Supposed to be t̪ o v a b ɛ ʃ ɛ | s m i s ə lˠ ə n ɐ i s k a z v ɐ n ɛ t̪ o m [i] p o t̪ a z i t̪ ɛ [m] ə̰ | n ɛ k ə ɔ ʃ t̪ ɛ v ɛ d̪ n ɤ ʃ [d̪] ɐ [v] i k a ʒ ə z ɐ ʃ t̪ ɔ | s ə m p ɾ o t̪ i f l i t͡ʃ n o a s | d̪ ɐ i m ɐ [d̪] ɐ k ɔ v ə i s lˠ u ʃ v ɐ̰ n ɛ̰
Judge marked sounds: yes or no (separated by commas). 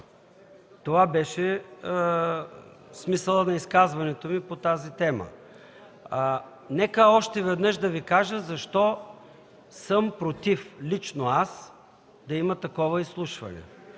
yes, yes, yes, yes, no